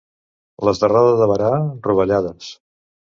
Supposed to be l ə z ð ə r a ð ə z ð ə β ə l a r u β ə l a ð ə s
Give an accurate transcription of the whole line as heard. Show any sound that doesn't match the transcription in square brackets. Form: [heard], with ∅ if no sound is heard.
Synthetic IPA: l ə z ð ə r a ð ə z ð ə β ə [ɾ] a r u β ə [ʎ] a ð ə s